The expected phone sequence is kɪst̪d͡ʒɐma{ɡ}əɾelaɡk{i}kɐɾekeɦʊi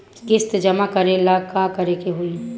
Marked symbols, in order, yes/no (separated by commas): no, no